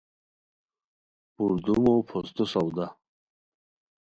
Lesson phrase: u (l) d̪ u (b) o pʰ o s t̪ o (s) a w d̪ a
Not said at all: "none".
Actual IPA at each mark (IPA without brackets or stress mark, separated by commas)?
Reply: ɾ, m, s